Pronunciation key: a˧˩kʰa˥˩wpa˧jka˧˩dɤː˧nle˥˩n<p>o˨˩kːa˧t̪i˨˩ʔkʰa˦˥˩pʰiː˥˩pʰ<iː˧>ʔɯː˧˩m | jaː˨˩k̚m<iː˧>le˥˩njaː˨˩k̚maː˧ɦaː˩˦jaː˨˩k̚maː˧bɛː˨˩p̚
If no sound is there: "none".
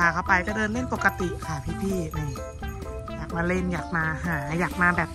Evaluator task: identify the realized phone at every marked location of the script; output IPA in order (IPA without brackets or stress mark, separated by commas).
p, iː˥˩, aː˧